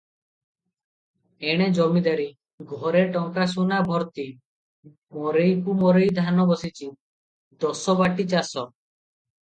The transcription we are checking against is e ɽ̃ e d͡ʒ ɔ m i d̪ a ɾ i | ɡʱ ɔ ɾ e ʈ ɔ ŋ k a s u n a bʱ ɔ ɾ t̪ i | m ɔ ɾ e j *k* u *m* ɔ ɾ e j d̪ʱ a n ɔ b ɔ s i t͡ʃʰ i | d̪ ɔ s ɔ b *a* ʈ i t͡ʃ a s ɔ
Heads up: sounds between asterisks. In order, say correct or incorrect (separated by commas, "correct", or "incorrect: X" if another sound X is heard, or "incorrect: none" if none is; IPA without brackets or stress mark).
correct, correct, correct